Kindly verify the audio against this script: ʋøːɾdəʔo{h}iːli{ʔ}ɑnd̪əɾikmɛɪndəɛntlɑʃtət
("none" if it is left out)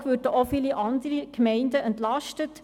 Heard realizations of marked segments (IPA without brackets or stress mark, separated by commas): f, ʔ